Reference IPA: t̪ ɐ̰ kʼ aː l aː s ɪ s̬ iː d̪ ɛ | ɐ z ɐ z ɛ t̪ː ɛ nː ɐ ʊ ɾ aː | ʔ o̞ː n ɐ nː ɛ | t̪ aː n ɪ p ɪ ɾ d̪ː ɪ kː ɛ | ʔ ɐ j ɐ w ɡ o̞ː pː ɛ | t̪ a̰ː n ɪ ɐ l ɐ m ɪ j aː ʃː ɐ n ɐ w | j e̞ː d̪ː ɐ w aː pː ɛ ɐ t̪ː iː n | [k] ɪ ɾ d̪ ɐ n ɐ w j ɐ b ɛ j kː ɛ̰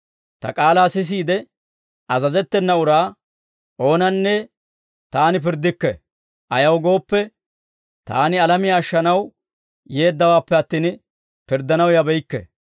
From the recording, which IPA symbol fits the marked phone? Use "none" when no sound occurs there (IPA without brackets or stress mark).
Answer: p